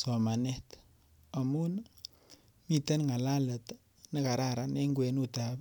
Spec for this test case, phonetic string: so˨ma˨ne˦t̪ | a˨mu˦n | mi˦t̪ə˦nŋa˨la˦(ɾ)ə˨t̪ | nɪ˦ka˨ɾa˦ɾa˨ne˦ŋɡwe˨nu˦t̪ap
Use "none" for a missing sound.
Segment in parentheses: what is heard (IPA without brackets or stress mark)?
l